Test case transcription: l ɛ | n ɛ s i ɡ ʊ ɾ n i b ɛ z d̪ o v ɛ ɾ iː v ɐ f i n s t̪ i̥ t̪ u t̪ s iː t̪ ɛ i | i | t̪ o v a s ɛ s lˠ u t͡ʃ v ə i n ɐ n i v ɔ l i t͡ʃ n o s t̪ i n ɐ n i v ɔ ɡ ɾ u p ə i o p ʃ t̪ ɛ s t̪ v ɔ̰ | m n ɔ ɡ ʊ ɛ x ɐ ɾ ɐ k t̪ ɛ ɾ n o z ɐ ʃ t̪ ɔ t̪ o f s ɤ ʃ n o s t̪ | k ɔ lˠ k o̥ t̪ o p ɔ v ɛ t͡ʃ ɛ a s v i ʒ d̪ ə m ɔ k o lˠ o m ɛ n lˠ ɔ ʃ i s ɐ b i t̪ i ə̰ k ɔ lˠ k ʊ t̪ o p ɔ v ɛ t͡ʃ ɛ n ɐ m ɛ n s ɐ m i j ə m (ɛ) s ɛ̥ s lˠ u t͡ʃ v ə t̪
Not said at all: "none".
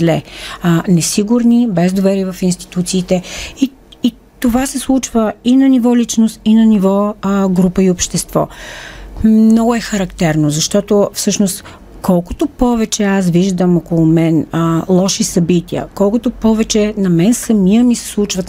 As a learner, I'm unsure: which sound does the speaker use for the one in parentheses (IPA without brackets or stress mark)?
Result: i